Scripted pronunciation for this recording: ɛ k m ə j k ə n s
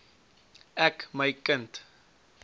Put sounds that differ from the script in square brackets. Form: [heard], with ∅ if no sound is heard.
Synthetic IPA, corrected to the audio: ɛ k m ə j k ə n [t]